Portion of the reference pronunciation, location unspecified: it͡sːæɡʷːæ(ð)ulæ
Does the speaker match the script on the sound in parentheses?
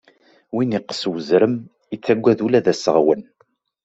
yes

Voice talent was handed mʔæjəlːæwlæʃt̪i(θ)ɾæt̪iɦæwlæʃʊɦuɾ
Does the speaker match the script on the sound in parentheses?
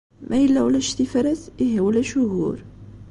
no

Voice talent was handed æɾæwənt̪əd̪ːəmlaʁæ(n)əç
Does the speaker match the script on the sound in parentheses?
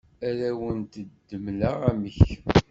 no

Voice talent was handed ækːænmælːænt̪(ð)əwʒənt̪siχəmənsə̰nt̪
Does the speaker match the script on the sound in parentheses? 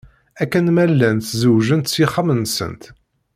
no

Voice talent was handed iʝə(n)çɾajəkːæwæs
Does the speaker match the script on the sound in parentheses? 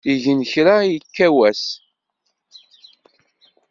yes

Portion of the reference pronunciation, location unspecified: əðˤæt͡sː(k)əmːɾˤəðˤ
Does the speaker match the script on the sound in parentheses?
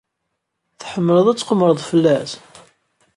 no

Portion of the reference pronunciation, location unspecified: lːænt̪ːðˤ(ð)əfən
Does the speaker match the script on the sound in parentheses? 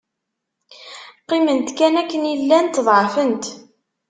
no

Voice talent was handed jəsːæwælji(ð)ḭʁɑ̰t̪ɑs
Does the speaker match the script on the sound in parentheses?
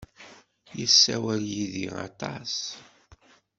yes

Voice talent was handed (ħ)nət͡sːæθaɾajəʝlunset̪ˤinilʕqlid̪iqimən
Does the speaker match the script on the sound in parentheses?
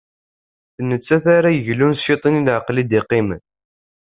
no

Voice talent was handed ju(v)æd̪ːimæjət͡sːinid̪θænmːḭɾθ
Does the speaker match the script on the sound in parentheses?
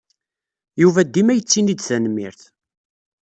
yes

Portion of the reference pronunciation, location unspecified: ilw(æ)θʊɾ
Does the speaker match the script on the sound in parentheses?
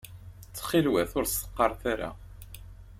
yes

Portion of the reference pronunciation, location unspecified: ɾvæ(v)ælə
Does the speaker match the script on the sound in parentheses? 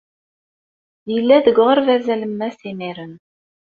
no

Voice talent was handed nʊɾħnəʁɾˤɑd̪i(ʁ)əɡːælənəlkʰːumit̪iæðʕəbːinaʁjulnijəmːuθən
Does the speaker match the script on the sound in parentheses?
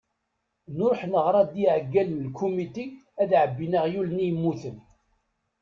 no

